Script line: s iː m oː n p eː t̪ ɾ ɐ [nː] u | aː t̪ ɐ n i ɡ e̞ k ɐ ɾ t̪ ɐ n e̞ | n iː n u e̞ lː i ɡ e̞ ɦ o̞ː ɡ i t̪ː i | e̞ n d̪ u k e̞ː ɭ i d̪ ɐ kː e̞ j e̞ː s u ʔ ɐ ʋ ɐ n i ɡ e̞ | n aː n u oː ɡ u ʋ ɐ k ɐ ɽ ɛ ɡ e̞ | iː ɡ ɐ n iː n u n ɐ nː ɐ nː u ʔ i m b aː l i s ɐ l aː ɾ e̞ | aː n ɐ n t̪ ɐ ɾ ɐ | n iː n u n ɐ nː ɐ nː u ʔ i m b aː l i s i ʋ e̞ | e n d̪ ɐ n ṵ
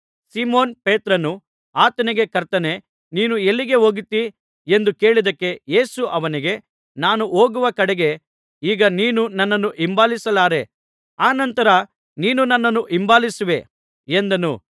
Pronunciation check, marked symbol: incorrect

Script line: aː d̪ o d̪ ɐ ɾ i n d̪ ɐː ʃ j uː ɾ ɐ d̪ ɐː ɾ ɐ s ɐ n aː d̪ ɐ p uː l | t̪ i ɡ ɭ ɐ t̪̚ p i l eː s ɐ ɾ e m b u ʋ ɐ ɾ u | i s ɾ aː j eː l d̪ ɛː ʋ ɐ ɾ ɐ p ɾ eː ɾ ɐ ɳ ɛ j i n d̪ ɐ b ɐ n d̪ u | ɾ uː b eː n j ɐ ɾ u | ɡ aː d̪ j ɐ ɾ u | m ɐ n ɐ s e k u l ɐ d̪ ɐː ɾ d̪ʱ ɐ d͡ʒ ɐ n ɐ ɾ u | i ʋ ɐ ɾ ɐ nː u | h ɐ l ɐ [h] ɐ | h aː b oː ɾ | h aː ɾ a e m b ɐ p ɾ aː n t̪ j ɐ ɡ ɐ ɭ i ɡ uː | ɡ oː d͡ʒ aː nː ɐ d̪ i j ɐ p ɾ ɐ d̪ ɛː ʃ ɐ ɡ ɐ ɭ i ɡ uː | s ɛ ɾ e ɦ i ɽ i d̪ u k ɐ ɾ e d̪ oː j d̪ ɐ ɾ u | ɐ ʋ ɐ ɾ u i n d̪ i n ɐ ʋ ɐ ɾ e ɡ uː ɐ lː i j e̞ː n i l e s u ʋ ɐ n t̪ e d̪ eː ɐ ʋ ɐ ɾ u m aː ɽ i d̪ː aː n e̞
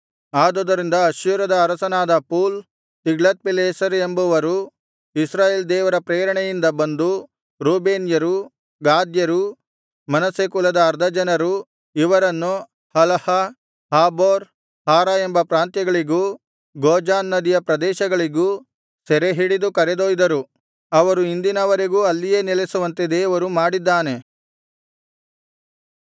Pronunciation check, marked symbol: correct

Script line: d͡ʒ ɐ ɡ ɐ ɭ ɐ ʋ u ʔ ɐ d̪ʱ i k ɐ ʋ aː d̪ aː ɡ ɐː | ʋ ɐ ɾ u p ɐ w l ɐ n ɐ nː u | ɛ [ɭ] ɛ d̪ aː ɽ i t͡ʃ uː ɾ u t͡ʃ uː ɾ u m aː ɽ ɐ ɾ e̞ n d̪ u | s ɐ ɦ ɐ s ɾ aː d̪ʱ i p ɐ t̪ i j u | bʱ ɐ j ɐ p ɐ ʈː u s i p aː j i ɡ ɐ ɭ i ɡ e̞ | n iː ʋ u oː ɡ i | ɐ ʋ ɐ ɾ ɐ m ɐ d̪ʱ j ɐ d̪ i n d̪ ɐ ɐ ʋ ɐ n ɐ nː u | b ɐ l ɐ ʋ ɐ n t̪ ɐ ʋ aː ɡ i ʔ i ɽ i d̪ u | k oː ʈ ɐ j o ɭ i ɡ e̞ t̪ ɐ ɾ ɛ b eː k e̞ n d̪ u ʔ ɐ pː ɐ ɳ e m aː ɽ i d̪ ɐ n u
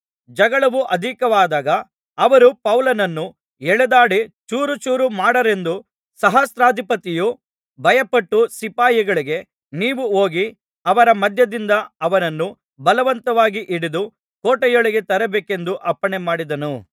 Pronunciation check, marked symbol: correct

